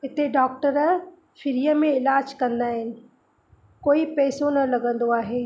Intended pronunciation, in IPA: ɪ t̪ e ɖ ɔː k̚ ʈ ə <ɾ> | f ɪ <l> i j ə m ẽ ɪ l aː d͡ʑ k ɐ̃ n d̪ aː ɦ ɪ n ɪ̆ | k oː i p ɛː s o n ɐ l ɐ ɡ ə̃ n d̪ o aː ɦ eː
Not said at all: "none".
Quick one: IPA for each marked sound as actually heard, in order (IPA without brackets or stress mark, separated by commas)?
ɾ, ɾ